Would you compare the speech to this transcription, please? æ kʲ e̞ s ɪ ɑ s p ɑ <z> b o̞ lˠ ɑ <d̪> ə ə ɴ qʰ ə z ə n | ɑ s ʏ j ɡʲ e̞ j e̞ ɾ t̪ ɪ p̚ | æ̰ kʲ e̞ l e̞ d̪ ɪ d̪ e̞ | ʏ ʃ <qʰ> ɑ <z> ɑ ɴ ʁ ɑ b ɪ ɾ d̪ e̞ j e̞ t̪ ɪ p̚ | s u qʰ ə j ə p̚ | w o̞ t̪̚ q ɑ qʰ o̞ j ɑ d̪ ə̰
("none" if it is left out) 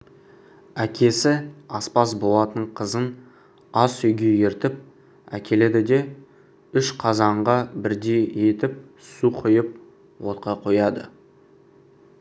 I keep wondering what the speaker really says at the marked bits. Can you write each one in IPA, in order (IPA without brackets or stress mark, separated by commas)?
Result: s, t̪, qʰ, z